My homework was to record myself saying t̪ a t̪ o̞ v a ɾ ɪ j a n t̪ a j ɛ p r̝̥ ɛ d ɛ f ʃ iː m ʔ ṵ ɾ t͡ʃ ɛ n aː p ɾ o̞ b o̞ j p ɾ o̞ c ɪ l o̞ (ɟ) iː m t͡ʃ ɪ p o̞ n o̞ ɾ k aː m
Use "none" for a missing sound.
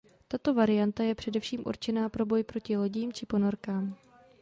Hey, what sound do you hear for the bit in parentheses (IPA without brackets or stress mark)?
ɟ